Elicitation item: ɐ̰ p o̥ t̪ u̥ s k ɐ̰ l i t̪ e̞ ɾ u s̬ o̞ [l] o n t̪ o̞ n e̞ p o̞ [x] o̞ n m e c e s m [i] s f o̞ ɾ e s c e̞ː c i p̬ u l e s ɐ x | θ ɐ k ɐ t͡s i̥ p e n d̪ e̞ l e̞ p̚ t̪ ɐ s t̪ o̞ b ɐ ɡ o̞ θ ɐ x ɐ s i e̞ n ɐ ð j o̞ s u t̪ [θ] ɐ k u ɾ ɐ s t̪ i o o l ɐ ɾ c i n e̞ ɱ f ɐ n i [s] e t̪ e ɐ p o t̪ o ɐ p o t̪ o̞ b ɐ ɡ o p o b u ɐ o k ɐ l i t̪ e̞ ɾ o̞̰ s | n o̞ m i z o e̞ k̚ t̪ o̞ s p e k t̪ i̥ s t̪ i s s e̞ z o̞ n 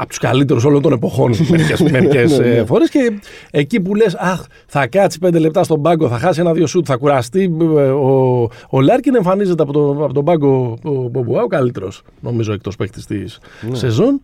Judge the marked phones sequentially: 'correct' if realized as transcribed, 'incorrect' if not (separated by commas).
correct, correct, incorrect, correct, incorrect